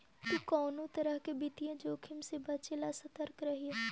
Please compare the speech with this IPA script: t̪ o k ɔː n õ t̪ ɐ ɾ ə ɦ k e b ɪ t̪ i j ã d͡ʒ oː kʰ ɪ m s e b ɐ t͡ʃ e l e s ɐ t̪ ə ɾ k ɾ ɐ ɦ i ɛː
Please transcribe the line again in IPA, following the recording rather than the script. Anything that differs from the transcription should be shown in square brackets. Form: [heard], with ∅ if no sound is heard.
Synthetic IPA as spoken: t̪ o k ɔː n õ t̪ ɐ ɾ ə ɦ k e b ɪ t̪ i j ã d͡ʒ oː kʰ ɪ m s e b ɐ t͡ʃ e l [a] s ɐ t̪ ə ɾ k ɾ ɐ ɦ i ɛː